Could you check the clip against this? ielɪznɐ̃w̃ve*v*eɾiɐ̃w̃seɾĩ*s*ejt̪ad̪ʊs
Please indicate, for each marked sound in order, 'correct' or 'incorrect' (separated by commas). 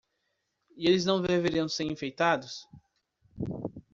correct, incorrect